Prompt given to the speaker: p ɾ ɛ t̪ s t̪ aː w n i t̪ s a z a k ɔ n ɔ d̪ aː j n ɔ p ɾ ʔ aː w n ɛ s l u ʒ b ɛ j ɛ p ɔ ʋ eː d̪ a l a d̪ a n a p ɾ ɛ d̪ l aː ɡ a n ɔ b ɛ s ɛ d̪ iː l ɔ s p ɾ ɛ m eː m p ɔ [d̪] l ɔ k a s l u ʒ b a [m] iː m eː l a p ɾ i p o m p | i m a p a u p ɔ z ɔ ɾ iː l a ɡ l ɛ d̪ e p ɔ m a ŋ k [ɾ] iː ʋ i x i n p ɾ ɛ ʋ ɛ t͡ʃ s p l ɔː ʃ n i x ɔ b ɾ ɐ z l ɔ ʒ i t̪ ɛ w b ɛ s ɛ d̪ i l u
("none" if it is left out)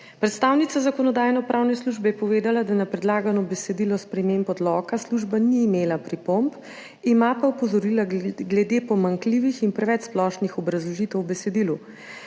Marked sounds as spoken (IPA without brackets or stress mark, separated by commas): d̪, n, l